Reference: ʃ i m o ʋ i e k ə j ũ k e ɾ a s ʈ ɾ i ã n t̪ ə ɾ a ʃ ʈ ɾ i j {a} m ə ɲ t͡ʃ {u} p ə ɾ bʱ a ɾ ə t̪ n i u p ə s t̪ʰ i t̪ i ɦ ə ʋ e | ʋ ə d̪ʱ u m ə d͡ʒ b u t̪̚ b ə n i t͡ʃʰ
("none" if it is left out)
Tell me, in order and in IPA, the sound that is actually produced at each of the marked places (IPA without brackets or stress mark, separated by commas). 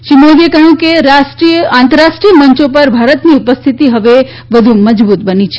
ə, o